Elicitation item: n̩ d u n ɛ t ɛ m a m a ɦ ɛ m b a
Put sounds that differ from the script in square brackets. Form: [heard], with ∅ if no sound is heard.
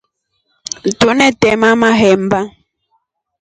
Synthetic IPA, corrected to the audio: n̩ [t] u n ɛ t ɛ m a m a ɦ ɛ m b a